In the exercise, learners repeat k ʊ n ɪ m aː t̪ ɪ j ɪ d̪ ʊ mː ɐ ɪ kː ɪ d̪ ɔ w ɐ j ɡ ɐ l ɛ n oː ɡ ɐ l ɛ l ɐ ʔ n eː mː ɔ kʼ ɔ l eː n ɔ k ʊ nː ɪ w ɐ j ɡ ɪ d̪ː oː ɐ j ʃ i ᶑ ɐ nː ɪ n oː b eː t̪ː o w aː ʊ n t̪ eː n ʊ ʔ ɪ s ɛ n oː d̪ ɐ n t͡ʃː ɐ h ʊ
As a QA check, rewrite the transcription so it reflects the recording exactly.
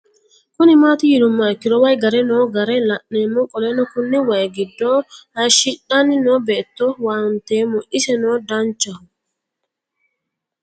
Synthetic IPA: k ʊ n ɪ m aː t̪ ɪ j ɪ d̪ ʊ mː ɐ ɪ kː ɪ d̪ ɔ w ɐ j ɡ ɐ ɾ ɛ n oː ɡ ɐ ɾ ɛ l ɐ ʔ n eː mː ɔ kʼ ɔ l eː n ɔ k ʊ nː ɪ w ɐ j ɡ ɪ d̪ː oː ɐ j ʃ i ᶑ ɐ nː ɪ n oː b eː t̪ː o w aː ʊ n t̪ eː m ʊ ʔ ɪ s ɛ n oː d̪ ɐ n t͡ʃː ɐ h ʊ